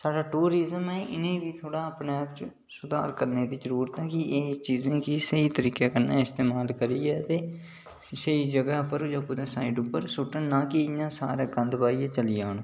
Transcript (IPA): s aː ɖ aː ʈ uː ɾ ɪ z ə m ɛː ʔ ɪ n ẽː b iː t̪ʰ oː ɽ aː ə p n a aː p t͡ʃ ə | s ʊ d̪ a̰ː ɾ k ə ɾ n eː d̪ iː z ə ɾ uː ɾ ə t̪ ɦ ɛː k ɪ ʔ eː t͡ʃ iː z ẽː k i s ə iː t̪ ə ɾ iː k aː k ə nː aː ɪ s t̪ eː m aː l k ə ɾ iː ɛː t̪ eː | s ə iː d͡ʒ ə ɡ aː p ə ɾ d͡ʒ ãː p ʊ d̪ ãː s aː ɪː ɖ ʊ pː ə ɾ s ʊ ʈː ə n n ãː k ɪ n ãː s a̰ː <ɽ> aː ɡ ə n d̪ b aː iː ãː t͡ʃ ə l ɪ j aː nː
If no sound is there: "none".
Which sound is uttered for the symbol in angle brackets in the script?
ɾ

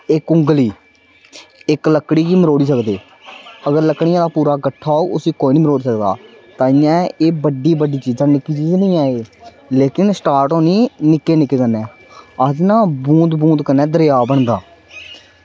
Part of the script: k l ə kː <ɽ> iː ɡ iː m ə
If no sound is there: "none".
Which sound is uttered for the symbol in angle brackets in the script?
ɽ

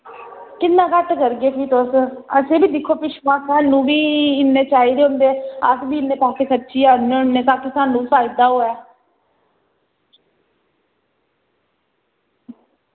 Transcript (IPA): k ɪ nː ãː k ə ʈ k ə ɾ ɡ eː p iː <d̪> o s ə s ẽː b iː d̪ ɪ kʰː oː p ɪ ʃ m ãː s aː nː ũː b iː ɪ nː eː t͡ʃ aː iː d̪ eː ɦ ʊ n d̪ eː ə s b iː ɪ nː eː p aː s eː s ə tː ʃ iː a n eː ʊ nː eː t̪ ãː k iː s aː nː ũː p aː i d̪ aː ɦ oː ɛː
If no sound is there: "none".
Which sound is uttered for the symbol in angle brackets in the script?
t̪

